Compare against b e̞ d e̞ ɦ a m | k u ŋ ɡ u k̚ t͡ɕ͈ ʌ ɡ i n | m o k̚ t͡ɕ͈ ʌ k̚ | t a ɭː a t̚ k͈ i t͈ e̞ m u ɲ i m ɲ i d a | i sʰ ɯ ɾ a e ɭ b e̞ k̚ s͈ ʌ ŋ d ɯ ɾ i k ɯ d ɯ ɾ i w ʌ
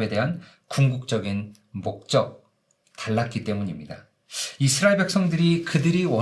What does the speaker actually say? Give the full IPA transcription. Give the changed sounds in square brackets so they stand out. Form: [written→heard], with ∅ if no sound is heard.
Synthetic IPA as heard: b e̞ d e̞ ɦ a [m→n] | k u ŋ ɡ u k̚ t͡ɕ͈ ʌ ɡ i n | m o k̚ t͡ɕ͈ ʌ k̚ | t a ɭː a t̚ k͈ i t͈ e̞ m u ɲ i m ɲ i d a | i sʰ ɯ ɾ a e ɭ b e̞ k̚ s͈ ʌ ŋ d ɯ ɾ i k ɯ d ɯ ɾ i w ʌ